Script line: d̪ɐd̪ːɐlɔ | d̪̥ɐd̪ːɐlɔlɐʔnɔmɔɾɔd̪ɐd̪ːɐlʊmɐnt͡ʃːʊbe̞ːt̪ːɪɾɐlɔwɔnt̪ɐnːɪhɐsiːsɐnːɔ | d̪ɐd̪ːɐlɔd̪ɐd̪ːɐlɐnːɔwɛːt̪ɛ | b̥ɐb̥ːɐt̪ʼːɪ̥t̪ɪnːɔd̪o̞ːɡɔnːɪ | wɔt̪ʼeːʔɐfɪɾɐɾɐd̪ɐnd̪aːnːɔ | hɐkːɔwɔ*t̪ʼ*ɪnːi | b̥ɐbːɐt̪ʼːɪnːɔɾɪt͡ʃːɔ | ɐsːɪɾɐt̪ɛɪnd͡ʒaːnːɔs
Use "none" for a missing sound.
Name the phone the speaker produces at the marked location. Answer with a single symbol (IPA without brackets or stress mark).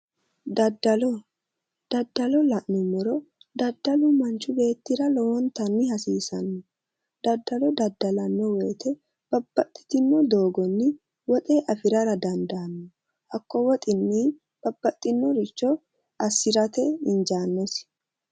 t̪ʼ